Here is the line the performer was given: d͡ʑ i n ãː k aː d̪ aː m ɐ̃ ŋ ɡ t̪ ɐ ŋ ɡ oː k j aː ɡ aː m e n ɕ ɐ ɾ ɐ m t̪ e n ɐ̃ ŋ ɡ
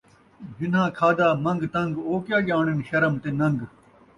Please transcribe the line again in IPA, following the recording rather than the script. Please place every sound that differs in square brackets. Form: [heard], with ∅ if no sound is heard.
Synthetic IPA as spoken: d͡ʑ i n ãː [kʰ] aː d̪ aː m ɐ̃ ŋ ɡ t̪ ɐ ŋ ɡ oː k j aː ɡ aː [ɳ] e n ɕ ɐ ɾ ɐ m t̪ e n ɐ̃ ŋ ɡ